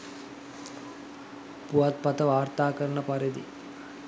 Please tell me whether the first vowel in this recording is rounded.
yes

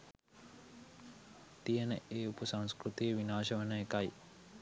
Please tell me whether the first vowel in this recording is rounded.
no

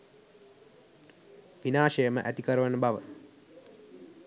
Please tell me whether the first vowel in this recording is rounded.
no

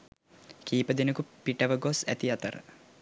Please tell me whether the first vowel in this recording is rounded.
no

